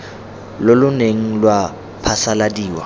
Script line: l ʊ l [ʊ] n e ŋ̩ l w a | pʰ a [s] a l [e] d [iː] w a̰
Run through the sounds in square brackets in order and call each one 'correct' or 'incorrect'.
correct, correct, incorrect, correct

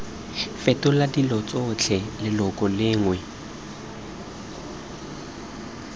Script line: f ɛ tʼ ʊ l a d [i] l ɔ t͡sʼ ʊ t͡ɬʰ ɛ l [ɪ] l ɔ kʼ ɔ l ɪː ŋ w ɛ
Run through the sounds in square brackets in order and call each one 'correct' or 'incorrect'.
correct, correct

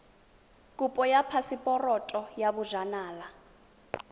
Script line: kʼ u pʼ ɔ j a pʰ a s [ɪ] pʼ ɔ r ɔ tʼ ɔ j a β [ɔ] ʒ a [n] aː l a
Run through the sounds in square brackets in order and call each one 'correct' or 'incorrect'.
incorrect, incorrect, correct

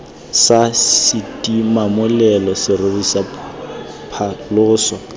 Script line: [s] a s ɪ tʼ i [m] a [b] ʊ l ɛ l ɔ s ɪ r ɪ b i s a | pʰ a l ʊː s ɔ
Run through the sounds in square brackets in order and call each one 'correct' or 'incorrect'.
correct, correct, incorrect

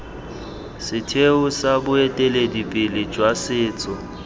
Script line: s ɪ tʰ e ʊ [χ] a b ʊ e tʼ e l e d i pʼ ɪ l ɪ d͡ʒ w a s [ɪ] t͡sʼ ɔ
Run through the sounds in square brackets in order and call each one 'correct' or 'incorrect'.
incorrect, incorrect

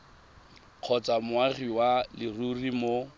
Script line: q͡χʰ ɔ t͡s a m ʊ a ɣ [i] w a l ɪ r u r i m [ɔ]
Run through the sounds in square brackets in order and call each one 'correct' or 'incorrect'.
correct, incorrect

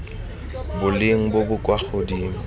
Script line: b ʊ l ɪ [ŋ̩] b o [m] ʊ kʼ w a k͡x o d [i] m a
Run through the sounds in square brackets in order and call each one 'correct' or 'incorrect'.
correct, incorrect, incorrect

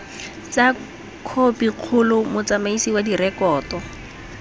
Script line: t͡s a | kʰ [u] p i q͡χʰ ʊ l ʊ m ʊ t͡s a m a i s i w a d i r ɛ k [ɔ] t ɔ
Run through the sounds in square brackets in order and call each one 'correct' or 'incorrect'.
incorrect, incorrect

